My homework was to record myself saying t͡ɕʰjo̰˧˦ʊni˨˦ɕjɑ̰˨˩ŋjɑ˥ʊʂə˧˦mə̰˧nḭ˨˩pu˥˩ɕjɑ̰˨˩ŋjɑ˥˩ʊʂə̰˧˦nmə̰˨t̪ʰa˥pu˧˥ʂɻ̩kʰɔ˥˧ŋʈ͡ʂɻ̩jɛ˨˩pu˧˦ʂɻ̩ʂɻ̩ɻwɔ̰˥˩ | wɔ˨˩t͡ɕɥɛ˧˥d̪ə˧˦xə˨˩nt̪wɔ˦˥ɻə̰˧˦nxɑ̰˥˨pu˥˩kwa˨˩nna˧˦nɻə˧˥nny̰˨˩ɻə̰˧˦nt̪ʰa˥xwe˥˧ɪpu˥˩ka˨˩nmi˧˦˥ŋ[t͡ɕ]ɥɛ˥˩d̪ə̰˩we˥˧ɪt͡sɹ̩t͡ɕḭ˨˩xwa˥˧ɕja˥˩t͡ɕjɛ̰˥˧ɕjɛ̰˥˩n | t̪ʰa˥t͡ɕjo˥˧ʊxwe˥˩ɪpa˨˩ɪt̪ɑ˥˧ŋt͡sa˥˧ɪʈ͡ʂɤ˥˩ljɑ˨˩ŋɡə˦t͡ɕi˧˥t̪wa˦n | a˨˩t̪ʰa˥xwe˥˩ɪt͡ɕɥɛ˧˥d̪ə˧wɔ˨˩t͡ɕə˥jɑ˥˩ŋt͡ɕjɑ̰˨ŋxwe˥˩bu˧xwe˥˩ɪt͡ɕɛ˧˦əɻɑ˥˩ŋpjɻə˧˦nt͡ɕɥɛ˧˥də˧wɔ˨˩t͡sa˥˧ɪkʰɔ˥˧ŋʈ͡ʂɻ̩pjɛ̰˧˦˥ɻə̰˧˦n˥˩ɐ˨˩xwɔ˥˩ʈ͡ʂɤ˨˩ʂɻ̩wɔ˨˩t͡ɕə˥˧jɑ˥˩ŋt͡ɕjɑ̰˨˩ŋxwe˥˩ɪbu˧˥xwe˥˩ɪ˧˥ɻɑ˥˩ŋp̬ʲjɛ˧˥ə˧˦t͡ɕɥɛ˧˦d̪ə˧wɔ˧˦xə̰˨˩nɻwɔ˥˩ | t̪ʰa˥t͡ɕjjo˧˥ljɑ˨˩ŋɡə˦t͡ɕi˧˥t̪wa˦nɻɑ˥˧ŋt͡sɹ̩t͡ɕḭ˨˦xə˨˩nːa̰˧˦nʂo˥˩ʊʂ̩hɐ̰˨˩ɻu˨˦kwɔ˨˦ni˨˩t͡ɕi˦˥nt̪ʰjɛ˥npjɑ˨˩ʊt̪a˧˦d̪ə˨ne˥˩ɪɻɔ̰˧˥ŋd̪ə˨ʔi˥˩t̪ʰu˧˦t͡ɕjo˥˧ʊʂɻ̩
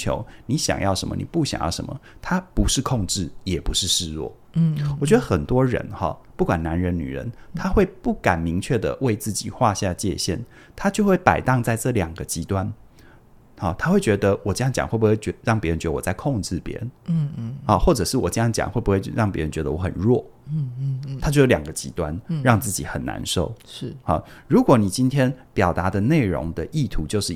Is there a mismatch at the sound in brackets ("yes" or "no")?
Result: yes